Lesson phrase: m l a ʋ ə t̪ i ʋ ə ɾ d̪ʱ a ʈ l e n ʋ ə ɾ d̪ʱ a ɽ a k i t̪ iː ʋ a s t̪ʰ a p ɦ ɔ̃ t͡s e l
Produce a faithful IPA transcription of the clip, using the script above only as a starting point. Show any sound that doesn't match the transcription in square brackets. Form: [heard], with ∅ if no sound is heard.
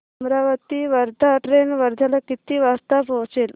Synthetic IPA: m [ɾ] a ʋ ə t̪ i ʋ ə ɾ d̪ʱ a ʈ [ɾ] e n ʋ ə ɾ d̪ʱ a [l] a k i t̪ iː ʋ a s [t̪] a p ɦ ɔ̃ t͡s e l